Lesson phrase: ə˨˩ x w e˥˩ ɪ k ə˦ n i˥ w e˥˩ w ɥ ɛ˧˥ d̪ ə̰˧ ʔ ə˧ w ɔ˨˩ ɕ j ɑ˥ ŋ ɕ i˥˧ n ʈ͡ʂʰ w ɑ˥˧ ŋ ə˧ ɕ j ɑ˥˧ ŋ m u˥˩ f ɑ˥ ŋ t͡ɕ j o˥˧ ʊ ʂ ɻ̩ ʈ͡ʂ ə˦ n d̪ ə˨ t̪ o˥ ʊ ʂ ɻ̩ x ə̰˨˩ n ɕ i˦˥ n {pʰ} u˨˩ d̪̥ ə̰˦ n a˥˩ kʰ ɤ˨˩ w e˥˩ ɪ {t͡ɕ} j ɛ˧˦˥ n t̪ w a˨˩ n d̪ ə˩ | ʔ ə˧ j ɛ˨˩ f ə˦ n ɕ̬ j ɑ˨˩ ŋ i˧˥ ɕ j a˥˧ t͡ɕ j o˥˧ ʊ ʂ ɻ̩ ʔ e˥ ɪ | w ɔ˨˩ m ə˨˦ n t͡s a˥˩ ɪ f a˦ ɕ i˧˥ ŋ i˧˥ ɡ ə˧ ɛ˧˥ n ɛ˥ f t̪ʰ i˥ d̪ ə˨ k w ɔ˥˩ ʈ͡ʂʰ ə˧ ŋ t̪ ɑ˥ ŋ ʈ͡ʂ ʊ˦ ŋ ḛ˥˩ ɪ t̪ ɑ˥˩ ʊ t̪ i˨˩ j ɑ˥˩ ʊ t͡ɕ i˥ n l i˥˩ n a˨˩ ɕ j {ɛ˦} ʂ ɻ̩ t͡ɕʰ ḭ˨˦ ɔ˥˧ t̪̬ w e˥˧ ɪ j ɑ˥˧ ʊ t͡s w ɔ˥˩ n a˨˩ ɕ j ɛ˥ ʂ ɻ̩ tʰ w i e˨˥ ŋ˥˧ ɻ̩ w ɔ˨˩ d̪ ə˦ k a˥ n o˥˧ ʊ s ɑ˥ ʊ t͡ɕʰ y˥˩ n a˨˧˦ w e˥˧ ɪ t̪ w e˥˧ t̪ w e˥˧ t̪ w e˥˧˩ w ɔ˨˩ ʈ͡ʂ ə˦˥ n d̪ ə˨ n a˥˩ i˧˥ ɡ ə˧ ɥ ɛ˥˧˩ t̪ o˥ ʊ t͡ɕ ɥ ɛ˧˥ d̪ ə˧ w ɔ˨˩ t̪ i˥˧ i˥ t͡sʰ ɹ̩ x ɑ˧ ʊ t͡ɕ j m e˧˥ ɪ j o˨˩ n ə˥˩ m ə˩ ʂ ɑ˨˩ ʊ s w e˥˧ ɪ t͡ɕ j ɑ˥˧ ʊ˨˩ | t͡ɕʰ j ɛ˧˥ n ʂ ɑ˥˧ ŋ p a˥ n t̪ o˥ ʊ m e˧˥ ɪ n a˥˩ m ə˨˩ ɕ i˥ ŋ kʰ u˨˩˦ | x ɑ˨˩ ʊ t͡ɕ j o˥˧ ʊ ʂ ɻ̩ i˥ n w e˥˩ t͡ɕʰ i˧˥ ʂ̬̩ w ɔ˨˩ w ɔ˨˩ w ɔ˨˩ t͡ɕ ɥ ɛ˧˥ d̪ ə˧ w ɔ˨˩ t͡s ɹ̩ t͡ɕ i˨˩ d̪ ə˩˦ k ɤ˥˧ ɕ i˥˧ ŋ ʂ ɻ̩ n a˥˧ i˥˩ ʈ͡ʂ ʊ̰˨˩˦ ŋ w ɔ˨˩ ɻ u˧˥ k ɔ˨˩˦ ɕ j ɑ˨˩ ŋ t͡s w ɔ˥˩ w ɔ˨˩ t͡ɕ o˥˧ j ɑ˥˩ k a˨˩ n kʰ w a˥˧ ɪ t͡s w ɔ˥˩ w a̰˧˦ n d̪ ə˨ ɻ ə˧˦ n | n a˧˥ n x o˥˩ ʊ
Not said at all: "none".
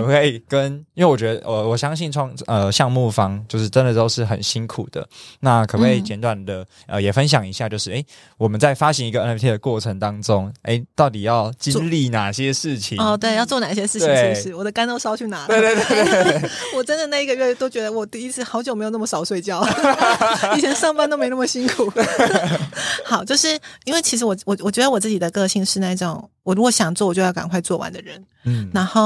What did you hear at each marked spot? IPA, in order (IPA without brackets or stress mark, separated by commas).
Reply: kʰ, t͡ɕ, ɛ˦